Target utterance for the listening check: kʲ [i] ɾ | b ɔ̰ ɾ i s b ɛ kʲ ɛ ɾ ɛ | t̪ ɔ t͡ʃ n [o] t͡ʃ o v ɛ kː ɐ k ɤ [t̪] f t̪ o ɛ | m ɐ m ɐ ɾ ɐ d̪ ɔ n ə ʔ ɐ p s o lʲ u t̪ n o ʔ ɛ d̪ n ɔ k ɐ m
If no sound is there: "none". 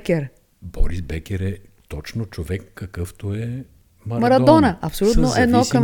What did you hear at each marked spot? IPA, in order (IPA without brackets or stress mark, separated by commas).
ɛ, o, none